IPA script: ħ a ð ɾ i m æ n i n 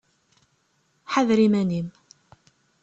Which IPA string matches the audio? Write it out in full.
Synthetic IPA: ħ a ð ɾ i m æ n i m

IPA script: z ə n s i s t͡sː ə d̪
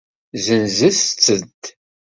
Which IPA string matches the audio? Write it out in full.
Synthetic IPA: z ə n z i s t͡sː ə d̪

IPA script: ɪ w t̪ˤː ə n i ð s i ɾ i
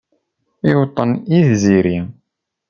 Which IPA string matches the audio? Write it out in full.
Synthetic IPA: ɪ w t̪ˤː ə n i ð z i ɾ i

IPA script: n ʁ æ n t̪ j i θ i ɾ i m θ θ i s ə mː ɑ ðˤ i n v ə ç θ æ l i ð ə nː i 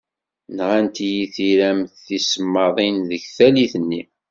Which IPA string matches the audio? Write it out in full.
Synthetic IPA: n ʁ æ n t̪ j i θ i ɾ æ m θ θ i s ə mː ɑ ðˤ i n ð ə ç θ æ l i θ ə nː i

